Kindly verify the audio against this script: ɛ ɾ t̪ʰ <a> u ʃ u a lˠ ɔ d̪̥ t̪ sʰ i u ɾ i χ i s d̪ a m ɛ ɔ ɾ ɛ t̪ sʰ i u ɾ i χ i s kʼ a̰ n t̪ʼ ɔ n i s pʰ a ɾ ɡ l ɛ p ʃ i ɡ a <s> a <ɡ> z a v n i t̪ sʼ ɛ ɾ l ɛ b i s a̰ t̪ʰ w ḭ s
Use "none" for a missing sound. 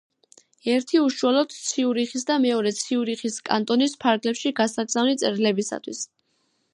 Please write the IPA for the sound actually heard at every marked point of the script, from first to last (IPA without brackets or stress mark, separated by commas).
i, s, ɡ